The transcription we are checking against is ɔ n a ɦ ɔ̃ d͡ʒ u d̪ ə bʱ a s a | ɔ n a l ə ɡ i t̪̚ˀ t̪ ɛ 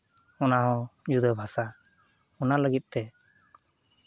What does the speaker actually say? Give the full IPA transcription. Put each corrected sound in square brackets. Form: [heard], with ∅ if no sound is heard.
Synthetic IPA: ɔ n a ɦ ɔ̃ d͡ʒ u d̪ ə bʱ a s a | ɔ n a l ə ɡ i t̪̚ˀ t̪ ɛ